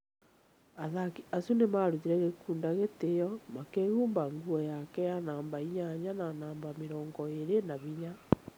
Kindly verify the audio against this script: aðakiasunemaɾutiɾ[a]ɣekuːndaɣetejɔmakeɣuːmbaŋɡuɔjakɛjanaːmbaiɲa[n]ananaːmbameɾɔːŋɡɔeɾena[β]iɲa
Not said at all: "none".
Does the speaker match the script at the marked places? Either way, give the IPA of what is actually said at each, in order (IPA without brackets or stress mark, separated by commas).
ɛ, ɲ, β